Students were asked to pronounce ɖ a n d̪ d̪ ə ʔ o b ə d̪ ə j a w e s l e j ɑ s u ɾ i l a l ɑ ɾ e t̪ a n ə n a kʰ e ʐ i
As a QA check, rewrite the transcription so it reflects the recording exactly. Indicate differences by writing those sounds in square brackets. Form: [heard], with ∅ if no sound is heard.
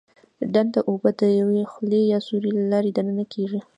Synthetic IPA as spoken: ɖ a n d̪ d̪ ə ʔ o b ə d̪ ə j a w e [x] l e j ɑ s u ɾ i l a l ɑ ɾ e [d̪] a n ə n a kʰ e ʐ i